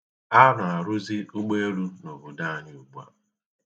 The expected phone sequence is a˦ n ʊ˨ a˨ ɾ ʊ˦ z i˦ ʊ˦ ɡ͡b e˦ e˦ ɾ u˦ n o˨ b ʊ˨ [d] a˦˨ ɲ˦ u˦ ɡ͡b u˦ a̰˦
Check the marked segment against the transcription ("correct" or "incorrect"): correct